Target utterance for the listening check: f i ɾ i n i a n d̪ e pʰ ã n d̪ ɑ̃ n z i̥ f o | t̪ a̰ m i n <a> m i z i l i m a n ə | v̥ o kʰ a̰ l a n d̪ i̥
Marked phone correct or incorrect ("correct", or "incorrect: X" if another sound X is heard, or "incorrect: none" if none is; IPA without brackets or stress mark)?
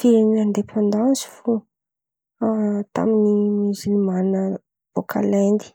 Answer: incorrect: i